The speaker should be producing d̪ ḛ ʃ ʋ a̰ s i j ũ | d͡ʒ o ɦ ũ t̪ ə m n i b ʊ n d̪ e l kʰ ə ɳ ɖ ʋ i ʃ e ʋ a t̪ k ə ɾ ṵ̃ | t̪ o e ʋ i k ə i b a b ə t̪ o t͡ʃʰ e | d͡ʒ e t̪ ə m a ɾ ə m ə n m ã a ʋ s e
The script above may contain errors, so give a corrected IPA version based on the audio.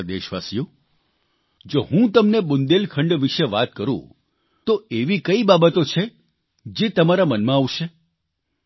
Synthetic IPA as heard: d̪ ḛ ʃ ʋ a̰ s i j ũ | d͡ʒ o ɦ ũ t̪ ə m n e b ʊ n d̪ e l kʰ ə ɳ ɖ ʋ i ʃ e ʋ a t̪ k ə ɾ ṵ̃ | t̪ o e ʋ i k ə i b a b ə t̪ o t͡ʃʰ e | d͡ʒ e t̪ ə m a ɾ a m ə n m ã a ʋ ʃ e